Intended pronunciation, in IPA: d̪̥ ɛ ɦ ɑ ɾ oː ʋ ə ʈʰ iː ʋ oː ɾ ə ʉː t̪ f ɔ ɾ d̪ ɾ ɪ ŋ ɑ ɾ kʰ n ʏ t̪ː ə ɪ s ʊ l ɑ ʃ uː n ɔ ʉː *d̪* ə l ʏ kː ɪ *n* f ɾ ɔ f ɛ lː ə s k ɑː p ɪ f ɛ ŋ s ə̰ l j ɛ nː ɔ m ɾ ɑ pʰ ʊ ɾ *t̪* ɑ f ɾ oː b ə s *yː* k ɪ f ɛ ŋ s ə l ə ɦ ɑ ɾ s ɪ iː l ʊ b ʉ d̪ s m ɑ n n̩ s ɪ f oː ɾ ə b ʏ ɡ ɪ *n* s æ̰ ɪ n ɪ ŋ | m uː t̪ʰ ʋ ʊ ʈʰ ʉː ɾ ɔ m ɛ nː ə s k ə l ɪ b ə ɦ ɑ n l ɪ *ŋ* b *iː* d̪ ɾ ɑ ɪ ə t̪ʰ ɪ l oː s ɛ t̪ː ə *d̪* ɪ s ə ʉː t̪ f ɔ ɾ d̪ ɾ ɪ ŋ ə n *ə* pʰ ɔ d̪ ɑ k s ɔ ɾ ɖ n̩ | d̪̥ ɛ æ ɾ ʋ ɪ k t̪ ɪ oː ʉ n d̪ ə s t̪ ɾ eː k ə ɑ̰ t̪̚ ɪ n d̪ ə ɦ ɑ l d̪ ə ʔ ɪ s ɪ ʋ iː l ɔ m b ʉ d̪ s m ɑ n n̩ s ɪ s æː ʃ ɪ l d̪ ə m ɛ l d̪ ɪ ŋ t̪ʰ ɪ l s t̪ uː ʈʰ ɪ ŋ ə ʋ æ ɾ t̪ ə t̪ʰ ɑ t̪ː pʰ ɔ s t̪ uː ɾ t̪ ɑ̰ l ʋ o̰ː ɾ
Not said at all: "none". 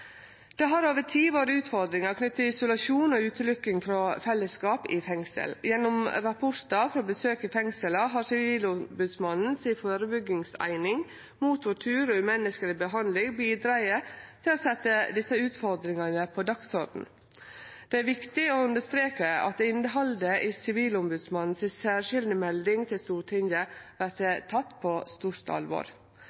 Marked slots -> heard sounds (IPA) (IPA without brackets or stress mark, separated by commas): t̪, ŋ, t̪, øː, ŋ, ŋ, iː, d̪, ə